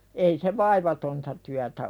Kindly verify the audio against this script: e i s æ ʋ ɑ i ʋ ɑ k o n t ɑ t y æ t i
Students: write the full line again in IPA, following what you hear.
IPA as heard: e i s e ʋ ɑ i ʋ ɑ t o n t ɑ t y æ t æ